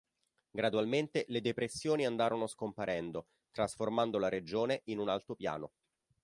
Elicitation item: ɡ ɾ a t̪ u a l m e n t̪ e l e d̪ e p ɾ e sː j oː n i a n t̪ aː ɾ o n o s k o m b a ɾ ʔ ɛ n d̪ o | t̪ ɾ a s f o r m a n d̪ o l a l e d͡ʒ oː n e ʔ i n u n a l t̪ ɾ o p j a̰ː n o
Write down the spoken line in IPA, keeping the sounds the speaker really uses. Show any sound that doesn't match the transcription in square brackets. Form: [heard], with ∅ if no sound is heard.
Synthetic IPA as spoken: ɡ ɾ a [d̪] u a l m e n t̪ e l e d̪ e p ɾ e sː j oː n i a n [d̪] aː ɾ o n o s k o m [p] a ɾ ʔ ɛ n d̪ o | t̪ ɾ a s f o r m a n d̪ o l a [ɾ] e d͡ʒ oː n e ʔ i n u n a l t̪ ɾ o p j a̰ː n o